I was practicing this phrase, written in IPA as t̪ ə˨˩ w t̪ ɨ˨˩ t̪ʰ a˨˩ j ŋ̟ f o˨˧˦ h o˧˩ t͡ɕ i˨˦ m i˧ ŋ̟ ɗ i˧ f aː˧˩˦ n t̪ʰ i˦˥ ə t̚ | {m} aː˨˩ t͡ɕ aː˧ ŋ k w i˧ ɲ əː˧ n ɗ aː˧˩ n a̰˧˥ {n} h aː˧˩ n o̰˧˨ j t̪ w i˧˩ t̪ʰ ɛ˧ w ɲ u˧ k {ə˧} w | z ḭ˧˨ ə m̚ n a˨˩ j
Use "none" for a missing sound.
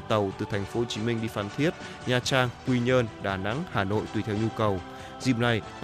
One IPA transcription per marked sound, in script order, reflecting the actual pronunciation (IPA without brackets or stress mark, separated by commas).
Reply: ɲ, ŋ, ə˨˩